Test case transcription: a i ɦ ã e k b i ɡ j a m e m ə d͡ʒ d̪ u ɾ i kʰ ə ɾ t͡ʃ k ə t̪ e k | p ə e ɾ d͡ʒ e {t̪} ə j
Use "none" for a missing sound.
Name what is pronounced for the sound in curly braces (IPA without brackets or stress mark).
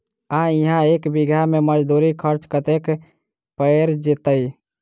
t̪